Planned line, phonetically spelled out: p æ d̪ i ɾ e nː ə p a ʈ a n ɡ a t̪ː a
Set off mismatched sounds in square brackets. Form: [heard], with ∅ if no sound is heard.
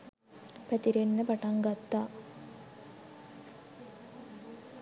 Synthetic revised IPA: p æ [t̪] i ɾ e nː ə p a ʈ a [ŋ] ɡ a t̪ː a